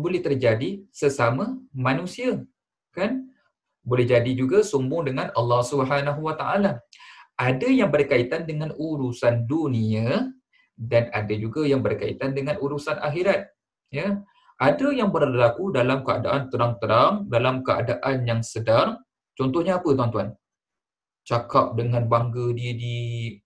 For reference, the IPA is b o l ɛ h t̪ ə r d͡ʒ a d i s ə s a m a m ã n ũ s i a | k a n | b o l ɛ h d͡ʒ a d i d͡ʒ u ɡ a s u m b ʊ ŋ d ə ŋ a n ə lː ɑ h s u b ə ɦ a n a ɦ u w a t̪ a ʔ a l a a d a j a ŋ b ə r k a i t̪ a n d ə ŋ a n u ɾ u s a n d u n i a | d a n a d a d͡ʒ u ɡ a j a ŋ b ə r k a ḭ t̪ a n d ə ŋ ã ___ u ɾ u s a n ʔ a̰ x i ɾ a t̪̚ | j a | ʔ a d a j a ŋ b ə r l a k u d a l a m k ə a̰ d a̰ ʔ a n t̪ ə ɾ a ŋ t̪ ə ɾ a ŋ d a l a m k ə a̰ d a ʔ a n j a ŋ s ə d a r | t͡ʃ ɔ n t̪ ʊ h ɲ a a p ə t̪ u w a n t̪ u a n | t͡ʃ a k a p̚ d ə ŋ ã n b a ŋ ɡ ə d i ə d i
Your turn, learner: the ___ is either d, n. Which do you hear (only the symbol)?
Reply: n